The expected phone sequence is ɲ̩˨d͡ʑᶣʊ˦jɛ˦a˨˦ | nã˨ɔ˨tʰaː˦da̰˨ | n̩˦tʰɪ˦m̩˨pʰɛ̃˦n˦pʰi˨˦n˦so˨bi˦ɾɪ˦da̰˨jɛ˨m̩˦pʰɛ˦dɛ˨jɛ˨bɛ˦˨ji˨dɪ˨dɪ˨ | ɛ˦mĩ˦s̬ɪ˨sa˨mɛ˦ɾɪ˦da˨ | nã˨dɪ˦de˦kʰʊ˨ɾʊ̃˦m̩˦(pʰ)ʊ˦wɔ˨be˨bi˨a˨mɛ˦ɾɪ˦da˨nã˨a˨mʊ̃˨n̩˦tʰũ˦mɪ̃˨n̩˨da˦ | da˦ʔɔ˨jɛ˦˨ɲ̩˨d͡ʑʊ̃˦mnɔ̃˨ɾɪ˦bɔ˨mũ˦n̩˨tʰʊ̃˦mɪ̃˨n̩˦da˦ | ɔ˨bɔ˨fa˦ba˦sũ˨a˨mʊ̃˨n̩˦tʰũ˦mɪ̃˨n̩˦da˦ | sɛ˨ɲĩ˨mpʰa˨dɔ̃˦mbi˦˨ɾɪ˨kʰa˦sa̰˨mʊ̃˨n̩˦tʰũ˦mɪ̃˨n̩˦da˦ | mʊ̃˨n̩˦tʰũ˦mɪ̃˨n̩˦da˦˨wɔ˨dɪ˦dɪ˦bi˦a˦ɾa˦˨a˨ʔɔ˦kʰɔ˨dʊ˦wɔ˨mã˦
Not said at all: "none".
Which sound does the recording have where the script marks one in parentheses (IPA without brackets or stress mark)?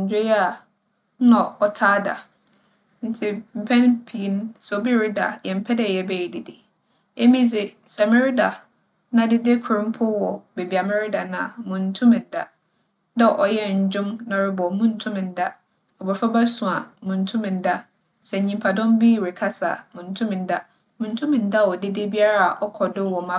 pʰ